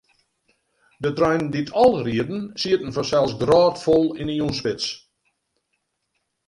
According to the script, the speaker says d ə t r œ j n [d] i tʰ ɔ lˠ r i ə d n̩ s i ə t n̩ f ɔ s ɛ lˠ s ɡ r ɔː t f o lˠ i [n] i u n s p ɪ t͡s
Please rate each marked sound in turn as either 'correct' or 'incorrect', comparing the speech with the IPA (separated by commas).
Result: correct, correct